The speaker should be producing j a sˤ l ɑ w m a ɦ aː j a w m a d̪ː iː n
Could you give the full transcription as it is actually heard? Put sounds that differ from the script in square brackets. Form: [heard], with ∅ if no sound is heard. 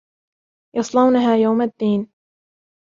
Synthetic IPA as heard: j [ɑ] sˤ l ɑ w [n] a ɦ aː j a w m a d̪ː iː n